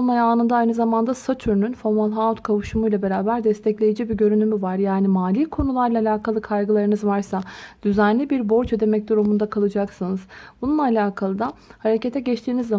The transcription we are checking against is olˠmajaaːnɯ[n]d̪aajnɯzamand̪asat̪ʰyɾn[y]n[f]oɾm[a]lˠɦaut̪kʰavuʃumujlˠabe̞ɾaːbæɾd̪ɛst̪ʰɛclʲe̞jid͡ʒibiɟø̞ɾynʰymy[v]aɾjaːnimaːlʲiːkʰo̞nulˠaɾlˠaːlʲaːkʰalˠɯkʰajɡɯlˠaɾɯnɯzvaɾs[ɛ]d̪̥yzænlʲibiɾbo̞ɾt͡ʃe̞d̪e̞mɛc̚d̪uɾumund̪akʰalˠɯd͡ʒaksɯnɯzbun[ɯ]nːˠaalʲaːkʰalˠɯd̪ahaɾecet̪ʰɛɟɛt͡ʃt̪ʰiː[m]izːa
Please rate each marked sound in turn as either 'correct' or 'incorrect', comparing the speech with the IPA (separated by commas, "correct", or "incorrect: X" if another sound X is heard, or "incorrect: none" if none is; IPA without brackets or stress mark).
correct, correct, correct, correct, correct, incorrect: a, incorrect: u, incorrect: n